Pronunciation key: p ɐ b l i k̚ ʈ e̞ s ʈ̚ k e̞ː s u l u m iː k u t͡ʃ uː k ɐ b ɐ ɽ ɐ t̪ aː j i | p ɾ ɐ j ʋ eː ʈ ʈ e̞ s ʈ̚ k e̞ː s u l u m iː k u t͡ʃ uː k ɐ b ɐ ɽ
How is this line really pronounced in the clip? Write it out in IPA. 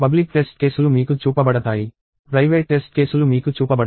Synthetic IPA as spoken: p ɐ b l i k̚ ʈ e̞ s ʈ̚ k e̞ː s u l u m iː k u t͡ʃ uː p ɐ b ɐ ɽ ɐ t̪ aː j i | p ɾ ɐ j ʋ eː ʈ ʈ e̞ s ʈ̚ k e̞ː s u l u m iː k u t͡ʃ uː p ɐ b ɐ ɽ

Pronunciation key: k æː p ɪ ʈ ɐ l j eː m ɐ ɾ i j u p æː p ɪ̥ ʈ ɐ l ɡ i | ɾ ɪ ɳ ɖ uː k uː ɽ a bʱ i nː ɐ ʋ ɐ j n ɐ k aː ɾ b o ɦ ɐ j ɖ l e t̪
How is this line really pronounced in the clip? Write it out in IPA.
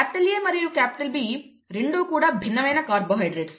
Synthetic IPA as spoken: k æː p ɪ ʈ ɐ l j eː m ɐ ɾ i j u k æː p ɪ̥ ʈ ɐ l b i | ɾ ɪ ɳ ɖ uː k uː ɽ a bʱ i nː ɐ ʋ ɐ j n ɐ k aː ɾ b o ɦ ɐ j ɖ ɾ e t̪

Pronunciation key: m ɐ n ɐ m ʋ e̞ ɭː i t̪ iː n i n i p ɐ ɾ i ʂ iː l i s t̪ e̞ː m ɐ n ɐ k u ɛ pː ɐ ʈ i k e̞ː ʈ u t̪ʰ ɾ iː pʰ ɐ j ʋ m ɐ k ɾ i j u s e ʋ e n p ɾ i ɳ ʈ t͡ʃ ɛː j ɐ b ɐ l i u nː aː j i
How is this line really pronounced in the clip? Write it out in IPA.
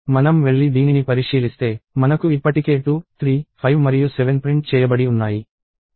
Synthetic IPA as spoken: m ɐ n ɐ m ʋ e̞ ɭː i d̪ iː n i n i p ɐ ɾ i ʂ iː l i s t̪ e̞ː m ɐ n ɐ k u i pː ɐ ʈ i k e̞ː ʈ u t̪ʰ ɾ iː pʰ ɐ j ʋ m ɐ ɾ i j u s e ʋ e n p ɾ i ɳ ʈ t͡ʃ ɛː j ɐ b ɐ ɽ i u nː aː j i

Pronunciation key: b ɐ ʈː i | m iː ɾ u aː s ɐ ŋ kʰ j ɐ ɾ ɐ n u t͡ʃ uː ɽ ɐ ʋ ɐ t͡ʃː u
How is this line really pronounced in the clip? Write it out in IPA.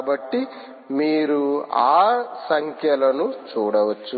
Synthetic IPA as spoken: b ɐ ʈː i | m iː ɾ u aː s ɐ ŋ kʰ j ɐ l ɐ n u t͡ʃ uː ɽ ɐ ʋ ɐ t͡ʃː u

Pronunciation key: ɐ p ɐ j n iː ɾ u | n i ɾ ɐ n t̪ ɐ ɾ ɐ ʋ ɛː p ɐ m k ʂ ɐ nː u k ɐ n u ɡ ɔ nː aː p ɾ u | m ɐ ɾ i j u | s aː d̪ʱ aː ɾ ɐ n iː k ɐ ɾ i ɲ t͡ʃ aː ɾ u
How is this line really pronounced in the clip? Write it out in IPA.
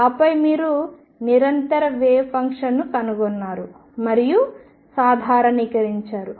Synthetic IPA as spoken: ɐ p ɐ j m iː ɾ u | n i ɾ ɐ n t̪ ɐ ɾ ɐ ʋ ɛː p ɐ ŋ k ʂ ɐ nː u k ɐ n u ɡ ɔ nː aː ɾ u | m ɐ ɾ i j u | s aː d̪ʱ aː ɾ ɐ n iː k ɐ ɾ i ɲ t͡ʃ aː ɾ u

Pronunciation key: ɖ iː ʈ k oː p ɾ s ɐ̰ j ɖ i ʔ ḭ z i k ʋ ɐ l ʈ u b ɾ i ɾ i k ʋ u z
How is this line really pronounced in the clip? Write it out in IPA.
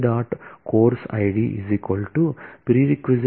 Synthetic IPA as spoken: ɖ aː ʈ k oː ɾ s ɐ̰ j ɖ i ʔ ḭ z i k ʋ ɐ l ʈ u p ɾ i ɾ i k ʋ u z

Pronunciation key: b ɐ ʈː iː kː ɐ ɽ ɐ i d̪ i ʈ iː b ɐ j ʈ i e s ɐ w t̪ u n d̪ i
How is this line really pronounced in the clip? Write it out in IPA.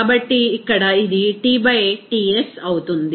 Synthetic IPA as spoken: b ɐ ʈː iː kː ɐ ɽ ɐ i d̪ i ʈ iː b ɐ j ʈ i e s ɐ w t̪ u n d̪ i

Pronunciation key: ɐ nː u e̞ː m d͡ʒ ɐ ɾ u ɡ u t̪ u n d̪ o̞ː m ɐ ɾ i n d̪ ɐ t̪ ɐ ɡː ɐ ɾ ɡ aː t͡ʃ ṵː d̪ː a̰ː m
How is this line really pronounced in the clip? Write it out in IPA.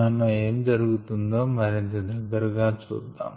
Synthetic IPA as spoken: ɐ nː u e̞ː m d͡ʒ ɐ ɾ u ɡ u t̪ u n d̪ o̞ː m ɐ ɾ i n t̪ ɐ d̪ ɐ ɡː ɐ ɾ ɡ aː t͡ʃ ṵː d̪ː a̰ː m

